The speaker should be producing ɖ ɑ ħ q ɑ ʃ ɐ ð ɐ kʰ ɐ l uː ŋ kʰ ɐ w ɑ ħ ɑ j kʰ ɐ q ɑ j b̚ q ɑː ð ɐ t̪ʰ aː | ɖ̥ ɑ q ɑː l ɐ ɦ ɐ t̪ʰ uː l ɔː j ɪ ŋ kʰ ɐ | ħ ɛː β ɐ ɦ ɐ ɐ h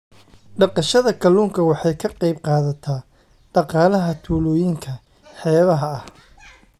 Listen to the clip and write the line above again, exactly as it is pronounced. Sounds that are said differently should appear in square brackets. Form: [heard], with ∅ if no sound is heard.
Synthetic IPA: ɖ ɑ [∅] q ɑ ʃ ɐ ð ɐ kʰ ɐ l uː ŋ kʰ ɐ w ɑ ħ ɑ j kʰ ɐ q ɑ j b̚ q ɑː ð ɐ t̪ʰ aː | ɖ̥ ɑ q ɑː l ɐ ɦ ɐ t̪ʰ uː l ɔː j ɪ ŋ kʰ ɐ | ħ ɛː β ɐ ɦ ɐ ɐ h